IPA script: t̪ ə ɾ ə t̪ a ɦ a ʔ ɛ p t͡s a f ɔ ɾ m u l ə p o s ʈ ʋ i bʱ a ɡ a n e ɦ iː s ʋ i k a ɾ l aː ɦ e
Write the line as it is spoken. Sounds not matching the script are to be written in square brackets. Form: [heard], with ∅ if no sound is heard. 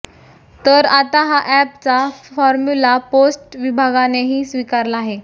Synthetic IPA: t̪ ə ɾ [a] t̪ a ɦ a ʔ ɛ p t͡s a f ɔ ɾ m u l [a] p o s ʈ ʋ i bʱ a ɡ a n e ɦ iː s ʋ i k a ɾ l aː ɦ e